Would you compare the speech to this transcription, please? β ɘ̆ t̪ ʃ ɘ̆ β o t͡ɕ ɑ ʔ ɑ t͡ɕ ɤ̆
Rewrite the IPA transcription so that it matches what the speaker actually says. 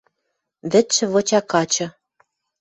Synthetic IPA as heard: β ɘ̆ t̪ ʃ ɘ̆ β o t͡ɕ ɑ k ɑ t͡ɕ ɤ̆